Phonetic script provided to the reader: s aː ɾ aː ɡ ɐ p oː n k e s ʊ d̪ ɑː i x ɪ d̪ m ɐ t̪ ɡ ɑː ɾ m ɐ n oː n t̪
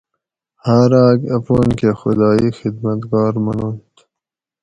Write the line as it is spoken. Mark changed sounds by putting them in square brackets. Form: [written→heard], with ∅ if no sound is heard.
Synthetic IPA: [s→h] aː ɾ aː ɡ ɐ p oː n k e [s→x] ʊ d̪ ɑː i x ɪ d̪ m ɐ t̪ ɡ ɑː ɾ m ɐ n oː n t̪